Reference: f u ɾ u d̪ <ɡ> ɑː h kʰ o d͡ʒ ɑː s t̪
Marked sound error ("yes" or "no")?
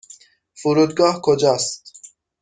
no